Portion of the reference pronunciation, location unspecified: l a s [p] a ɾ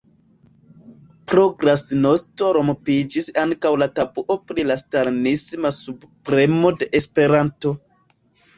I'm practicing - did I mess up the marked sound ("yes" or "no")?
yes